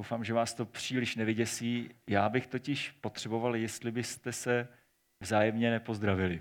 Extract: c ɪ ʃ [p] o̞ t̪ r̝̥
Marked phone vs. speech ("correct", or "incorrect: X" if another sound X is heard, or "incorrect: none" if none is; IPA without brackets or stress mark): correct